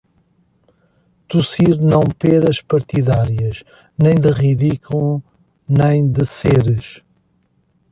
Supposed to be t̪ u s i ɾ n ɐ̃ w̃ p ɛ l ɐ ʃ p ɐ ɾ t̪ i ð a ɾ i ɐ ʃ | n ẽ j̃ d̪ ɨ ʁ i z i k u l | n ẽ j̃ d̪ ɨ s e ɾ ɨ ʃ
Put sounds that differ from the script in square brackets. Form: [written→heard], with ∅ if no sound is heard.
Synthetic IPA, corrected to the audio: t̪ u s i ɾ n ɐ̃ w̃ p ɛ [l→ɾ] ɐ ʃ p ɐ ɾ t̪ i ð a ɾ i ɐ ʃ | n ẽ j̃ d̪ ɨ ʁ i [z→ð] i k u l | n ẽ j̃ d̪ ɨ s e ɾ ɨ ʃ